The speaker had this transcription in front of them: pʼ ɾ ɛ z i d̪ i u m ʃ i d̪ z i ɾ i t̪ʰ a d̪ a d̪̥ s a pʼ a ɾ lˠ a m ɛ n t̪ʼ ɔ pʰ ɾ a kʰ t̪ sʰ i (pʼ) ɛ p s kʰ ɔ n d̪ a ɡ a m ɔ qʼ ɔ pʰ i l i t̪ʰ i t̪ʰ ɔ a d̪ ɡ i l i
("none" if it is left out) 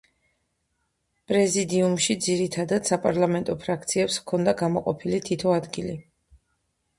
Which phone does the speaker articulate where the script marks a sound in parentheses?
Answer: none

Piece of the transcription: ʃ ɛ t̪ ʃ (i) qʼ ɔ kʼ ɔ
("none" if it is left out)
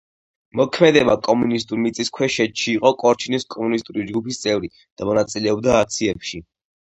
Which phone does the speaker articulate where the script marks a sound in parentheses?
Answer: iː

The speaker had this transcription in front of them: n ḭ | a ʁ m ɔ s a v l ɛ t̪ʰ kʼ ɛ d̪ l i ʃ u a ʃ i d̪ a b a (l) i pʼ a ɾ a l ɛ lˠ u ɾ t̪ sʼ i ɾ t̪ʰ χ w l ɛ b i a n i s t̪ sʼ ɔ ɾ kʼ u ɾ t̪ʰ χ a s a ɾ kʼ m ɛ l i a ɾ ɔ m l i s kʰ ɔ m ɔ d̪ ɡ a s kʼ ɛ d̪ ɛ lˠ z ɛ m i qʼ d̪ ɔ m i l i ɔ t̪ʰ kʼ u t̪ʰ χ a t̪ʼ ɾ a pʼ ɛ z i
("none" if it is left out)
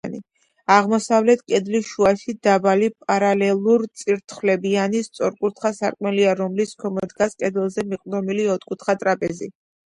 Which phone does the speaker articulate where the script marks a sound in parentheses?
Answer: l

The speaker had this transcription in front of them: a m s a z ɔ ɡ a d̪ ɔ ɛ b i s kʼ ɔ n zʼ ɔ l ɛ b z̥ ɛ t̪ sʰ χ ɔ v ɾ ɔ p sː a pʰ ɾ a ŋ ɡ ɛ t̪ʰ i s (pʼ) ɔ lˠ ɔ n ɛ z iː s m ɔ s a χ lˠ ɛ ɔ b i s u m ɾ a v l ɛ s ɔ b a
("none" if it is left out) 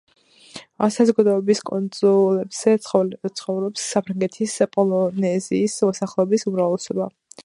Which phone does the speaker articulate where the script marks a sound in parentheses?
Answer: pʼ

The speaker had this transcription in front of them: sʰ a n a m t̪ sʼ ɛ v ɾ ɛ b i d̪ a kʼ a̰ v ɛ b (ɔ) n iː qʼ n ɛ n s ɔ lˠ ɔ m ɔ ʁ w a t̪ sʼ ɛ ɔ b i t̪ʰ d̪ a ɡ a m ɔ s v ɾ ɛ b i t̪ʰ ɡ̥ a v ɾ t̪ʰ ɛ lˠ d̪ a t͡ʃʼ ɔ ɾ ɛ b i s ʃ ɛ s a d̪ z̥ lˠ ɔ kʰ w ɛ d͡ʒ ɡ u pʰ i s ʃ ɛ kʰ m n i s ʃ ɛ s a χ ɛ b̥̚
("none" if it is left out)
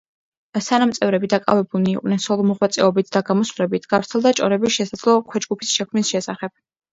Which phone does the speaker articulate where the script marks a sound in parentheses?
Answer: u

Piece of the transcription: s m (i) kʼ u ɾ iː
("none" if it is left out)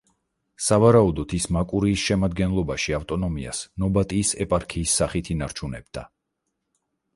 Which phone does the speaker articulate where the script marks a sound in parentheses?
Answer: a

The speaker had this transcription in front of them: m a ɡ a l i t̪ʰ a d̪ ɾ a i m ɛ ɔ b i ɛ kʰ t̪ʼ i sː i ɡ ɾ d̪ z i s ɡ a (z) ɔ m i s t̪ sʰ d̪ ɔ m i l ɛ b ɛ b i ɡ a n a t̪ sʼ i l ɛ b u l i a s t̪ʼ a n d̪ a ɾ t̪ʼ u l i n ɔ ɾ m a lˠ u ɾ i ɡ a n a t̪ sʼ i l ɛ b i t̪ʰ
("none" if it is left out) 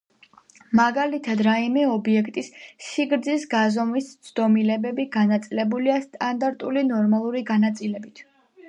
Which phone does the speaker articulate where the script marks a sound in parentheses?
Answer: z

